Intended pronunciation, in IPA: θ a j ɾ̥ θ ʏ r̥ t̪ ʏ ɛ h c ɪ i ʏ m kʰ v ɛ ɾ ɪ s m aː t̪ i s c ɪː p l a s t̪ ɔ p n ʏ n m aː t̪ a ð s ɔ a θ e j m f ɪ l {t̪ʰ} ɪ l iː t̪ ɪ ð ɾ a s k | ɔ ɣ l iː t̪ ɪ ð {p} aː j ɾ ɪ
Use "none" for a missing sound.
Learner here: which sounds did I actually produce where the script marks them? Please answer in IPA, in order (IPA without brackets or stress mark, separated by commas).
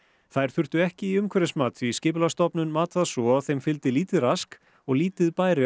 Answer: t̪, p